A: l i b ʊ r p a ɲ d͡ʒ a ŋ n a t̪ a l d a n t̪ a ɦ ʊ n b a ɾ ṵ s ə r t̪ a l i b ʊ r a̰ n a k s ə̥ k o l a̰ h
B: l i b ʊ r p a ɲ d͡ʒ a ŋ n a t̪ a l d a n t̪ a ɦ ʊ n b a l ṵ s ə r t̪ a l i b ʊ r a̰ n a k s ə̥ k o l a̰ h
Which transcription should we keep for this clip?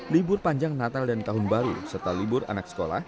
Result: A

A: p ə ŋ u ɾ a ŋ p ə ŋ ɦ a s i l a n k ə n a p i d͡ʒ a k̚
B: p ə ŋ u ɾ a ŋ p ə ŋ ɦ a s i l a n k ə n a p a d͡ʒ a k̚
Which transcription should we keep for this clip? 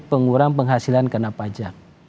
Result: B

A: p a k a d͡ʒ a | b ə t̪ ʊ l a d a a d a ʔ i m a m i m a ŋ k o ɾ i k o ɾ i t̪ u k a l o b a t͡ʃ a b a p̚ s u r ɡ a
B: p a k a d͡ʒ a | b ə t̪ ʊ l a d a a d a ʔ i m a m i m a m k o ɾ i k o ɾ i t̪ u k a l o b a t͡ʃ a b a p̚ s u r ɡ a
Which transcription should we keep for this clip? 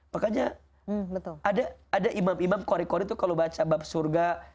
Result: B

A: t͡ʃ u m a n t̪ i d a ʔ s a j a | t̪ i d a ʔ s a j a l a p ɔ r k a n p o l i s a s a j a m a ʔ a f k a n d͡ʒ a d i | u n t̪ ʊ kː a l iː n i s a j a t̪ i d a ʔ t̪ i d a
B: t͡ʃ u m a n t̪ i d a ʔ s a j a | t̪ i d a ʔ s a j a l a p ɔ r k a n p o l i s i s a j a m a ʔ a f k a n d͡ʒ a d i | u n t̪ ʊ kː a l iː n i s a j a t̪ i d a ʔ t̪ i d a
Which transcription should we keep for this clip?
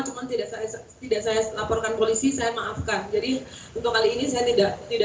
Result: B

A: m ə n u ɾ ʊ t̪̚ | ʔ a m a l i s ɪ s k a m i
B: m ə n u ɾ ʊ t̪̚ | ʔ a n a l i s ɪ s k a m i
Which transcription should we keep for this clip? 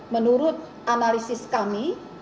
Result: B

